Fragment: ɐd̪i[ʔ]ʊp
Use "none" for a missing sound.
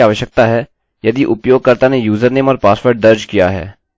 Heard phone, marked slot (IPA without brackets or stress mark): ʔ